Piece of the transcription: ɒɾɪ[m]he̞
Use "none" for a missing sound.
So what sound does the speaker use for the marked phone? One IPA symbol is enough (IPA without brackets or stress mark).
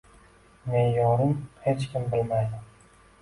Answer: m